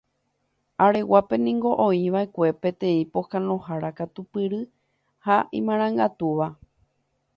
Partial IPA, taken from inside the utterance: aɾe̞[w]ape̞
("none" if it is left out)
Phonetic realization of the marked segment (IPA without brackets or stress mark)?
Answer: w